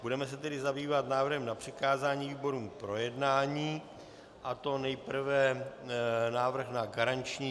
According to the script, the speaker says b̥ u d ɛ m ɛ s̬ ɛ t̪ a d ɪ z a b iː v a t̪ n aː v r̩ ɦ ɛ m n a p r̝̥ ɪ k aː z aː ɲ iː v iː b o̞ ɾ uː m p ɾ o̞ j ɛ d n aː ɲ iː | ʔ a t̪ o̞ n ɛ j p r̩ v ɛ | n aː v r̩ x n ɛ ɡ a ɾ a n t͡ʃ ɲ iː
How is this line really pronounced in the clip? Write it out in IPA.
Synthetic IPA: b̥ u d ɛ m ɛ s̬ ɛ t̪ ɛ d ɪ z a b iː v a t̪ n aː v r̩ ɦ ɛ m n a p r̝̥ ɪ k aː z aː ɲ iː v iː b o̞ ɾ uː m p ɾ o̞ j ɛ d n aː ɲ iː | ʔ a t̪ o̞ n ɛ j p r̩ v ɛ | n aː v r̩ x n a ɡ a ɾ a n t͡ʃ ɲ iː